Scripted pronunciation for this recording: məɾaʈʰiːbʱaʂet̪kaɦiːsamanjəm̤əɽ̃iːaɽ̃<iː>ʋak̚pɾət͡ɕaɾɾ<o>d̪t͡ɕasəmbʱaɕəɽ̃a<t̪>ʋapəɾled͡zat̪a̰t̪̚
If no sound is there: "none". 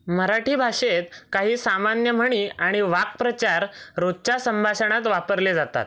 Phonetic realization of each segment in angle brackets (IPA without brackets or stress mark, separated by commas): i, o, t̪